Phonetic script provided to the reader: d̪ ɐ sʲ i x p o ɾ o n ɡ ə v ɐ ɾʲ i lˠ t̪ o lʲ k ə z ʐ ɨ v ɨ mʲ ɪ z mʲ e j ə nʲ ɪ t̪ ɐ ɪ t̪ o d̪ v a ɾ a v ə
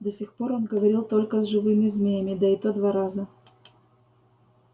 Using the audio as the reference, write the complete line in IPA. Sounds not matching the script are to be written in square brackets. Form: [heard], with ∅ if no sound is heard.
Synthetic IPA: d̪ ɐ sʲ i x p o ɾ o n ɡ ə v ɐ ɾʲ i lˠ t̪ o lʲ k ə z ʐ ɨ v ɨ mʲ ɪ z mʲ e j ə [mʲ] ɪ [d̪] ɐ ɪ t̪ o d̪ v a ɾ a [z] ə